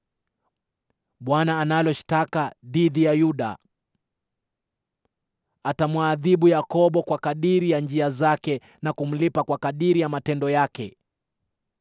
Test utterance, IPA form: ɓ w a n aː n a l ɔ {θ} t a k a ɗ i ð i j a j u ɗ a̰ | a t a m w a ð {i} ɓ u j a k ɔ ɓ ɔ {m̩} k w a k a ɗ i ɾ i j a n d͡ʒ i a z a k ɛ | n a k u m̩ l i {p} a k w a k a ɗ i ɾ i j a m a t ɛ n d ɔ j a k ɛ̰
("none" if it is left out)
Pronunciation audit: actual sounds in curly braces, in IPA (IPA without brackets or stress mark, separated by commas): ʃ, i, none, p